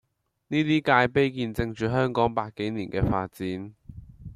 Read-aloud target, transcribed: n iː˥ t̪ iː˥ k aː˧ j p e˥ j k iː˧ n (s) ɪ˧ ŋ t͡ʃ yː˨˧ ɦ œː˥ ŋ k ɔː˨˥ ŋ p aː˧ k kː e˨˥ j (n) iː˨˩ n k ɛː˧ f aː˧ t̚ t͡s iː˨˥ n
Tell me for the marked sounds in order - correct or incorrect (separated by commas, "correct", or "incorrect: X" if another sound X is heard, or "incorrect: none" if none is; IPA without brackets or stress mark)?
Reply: incorrect: t͡s, correct